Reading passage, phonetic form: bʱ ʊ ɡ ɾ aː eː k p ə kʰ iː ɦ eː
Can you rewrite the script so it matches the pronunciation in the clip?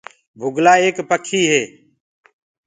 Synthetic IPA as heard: bʱ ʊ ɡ l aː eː k p ə kʰ iː ɦ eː